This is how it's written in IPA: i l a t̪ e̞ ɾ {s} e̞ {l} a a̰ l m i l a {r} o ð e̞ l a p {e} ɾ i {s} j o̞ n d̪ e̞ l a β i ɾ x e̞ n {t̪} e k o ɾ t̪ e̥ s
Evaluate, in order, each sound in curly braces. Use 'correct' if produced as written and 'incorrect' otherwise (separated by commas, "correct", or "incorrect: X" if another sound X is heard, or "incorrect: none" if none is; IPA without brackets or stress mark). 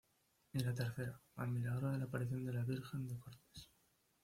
incorrect: θ, incorrect: ɾ, incorrect: ɾ, incorrect: a, incorrect: θ, incorrect: d̪